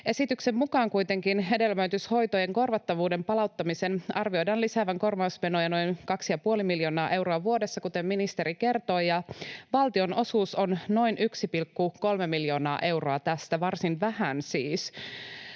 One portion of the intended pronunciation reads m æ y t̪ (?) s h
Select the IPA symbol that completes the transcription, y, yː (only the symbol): y